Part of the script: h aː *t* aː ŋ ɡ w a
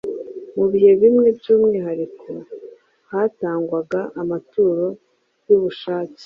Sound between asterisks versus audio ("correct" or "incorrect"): correct